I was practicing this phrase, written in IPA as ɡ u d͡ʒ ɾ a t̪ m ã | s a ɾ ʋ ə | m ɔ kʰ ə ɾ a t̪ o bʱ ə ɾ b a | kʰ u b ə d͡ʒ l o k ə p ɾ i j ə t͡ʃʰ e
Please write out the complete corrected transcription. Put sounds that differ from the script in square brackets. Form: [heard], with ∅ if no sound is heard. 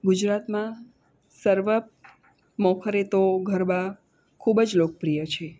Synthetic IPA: ɡ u d͡ʒ ɾ a t̪ m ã | s [ə] ɾ ʋ ə | m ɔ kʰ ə ɾ [e] t̪ o [ɡʱ] ə ɾ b a | kʰ u b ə d͡ʒ l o k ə p ɾ i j ə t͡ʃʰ e